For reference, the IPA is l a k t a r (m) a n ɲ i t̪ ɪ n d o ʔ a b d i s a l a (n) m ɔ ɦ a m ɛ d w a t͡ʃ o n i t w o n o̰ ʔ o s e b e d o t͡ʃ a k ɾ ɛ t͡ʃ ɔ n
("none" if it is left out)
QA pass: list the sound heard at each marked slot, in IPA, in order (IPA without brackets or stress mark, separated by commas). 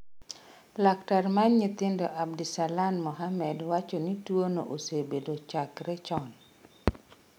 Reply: m, n